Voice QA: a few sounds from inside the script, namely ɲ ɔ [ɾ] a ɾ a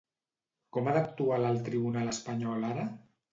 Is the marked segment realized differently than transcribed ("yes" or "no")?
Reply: yes